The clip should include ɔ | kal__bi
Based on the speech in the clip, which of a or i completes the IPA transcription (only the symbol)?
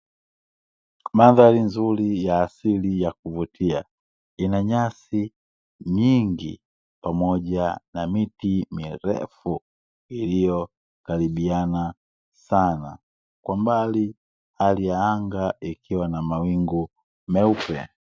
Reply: i